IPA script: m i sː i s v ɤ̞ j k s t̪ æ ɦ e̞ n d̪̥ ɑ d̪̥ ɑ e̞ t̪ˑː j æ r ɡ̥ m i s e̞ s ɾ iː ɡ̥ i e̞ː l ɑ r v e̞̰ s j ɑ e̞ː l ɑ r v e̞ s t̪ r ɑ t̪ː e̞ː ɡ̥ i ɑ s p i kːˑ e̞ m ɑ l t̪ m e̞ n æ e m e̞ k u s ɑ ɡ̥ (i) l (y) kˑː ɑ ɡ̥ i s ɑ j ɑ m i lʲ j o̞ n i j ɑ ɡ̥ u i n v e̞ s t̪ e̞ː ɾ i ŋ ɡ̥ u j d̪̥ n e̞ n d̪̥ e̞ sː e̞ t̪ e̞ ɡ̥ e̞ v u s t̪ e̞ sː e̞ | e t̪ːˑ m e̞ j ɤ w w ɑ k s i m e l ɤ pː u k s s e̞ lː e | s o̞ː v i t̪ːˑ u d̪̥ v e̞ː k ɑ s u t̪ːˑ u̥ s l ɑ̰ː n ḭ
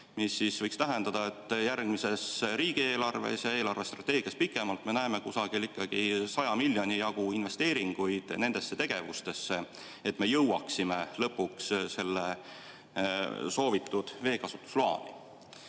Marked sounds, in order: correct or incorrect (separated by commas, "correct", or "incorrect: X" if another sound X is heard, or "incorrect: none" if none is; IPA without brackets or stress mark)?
correct, incorrect: i